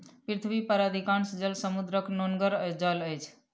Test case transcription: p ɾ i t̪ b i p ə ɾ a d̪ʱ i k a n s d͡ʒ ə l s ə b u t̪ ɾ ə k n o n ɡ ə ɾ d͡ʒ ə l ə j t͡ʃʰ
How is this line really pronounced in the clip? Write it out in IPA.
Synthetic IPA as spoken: p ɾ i t̪ʰ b i p ə ɾ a d̪ʱ i k a n s d͡ʒ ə l s ə m u d̪ ɾ ə k n o n ɡ ə ɾ d͡ʒ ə l ə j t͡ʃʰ